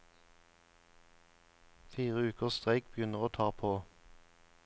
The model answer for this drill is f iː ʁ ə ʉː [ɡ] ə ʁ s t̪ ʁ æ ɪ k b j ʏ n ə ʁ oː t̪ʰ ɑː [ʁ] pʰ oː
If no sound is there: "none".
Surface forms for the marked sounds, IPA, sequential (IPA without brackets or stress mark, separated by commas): k, ʁ